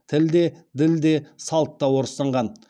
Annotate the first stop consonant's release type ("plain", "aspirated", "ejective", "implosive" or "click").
aspirated